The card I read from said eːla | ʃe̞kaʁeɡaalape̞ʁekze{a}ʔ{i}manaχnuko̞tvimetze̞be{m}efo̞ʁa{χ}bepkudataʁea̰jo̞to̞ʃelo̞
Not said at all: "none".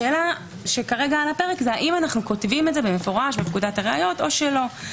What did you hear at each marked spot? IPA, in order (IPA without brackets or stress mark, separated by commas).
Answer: a, i, m, ʃ